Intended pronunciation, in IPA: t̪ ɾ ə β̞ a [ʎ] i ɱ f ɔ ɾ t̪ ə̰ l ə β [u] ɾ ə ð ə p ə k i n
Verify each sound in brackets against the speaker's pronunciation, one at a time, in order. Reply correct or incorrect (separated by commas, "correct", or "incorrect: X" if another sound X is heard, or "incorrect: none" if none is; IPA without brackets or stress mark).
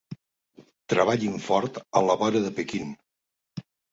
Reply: correct, incorrect: ɔ